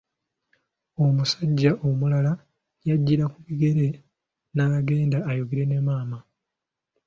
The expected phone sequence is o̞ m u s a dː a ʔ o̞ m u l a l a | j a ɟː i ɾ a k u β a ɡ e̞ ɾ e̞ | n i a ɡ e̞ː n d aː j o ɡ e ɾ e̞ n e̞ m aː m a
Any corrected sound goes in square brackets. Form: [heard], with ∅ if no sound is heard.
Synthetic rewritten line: o̞ m u s a [ɟː] a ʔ o̞ m u l a l a | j a ɟː i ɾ a k u β [i] ɡ e̞ ɾ e̞ | n [a] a ɡ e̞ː n d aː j o ɡ e ɾ e̞ n e̞ m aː m a